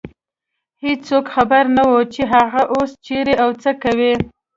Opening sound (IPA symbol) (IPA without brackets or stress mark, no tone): h